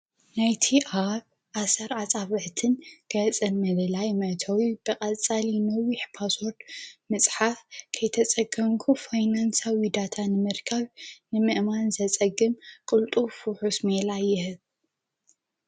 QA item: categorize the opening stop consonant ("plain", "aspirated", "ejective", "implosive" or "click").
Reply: aspirated